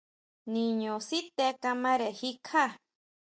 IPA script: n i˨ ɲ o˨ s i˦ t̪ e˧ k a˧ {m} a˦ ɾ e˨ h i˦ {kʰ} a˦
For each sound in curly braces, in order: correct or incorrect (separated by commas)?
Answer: correct, correct